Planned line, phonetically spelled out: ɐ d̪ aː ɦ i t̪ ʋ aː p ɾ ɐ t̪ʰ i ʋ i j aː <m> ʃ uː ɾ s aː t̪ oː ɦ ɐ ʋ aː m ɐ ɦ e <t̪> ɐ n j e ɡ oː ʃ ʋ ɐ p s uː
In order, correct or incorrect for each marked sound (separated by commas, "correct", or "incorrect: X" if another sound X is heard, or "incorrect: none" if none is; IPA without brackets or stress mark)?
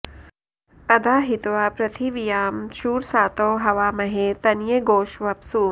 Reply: correct, correct